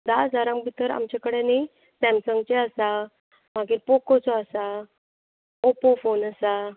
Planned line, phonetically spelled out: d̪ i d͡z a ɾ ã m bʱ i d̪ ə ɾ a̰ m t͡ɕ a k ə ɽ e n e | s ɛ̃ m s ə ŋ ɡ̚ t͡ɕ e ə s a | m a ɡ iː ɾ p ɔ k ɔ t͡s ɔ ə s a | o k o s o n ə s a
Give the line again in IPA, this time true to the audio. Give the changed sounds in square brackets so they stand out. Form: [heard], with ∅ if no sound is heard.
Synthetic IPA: d̪ [a] d͡z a ɾ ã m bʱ i [t̪] ə ɾ a̰ m t͡ɕ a k ə ɽ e n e | s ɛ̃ m s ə ŋ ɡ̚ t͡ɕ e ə s a | m a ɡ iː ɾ p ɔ k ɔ t͡s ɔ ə s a | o [p] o [f] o n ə s a